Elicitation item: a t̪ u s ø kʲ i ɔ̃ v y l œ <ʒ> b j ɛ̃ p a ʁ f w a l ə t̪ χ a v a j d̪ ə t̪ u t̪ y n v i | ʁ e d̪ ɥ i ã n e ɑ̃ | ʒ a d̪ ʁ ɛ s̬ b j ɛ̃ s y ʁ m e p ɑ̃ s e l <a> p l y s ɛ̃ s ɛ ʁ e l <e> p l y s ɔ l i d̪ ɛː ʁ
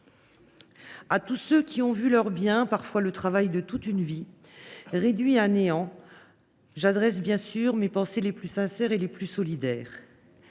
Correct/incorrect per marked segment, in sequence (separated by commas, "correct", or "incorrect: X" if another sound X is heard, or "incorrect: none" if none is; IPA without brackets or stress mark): incorrect: ʁ, incorrect: e, correct